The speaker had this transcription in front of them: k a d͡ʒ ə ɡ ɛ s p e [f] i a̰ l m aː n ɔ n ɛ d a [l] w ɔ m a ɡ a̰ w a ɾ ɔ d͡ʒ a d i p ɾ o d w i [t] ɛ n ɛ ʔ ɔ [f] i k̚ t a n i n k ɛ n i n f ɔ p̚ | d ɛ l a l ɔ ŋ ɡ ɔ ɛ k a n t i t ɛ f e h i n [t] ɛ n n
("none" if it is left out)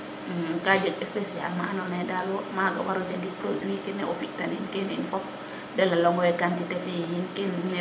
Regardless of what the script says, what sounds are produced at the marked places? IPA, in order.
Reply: s, l, k, f, k

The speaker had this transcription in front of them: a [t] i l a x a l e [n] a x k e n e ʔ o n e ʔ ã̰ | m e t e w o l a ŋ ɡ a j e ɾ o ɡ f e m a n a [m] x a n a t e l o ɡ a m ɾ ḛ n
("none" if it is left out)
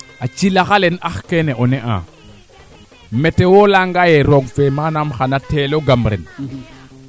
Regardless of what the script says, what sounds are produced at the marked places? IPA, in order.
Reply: t͡ʃ, n, m

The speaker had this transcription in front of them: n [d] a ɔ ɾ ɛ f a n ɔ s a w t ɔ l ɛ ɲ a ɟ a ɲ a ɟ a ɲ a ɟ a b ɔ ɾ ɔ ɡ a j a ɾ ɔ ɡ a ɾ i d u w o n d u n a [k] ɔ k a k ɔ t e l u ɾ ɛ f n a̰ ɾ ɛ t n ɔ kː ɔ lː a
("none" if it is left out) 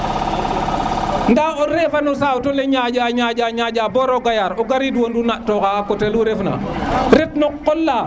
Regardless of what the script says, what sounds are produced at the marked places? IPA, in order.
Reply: d, t

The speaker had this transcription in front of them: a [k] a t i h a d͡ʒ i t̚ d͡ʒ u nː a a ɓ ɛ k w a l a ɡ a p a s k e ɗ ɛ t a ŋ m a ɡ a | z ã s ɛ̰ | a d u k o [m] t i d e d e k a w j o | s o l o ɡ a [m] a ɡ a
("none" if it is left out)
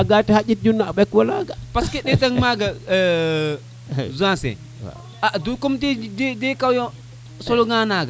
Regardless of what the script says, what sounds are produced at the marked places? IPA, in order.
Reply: ɡ, m, n

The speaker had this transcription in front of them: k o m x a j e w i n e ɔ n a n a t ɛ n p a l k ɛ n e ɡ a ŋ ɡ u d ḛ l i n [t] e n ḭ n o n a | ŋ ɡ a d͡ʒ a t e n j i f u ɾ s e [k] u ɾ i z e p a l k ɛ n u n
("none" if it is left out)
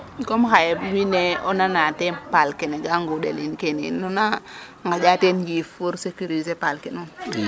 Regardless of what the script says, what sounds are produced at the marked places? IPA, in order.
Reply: k, k

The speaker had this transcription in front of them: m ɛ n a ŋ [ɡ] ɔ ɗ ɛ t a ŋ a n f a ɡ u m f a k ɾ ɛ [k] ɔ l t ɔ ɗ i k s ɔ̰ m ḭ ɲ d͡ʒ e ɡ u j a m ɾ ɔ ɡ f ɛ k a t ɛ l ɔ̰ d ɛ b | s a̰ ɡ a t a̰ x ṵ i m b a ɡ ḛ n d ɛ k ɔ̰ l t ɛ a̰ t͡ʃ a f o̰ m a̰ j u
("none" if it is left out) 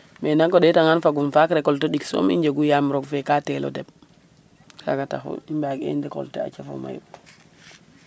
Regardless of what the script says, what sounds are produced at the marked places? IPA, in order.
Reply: k, k

